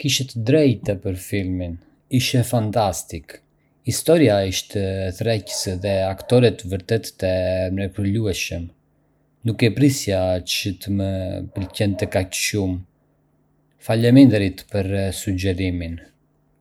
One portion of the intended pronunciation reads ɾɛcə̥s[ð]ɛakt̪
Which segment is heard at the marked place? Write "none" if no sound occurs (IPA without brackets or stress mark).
ð